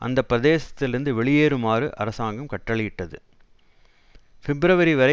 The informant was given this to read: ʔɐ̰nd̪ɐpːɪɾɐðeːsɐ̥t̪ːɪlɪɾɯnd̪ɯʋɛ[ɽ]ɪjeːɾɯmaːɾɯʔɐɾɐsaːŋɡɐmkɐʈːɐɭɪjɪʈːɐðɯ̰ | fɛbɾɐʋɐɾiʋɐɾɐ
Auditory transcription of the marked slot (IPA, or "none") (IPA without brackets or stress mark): ɭ